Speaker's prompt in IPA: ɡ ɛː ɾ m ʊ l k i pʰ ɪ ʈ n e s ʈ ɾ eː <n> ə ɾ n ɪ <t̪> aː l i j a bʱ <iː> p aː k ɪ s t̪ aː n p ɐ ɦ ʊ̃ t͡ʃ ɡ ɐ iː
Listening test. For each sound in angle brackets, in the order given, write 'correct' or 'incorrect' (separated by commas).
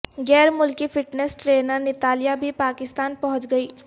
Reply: correct, correct, incorrect